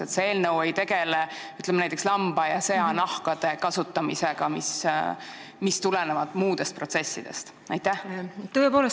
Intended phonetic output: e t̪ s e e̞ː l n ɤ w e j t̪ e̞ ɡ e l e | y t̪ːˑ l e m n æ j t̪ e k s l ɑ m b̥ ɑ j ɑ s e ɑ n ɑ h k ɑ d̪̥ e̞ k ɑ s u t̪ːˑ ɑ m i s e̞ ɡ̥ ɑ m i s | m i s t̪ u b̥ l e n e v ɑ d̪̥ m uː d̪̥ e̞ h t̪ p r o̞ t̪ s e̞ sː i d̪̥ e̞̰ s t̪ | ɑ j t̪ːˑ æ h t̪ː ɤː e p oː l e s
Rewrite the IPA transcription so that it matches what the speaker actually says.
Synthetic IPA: e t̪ s e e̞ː l n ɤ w e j t̪ e̞ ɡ e l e | y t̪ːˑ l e m n æ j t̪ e k s l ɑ m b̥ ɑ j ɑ s e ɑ n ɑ h k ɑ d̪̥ e̞ k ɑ s u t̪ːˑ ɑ m i s e̞ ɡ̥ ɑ m i s | m i s t̪ u l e n e v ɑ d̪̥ m uː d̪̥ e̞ s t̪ p r o̞ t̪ s e̞ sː i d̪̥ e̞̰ s t̪ | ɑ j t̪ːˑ æ h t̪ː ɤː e p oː l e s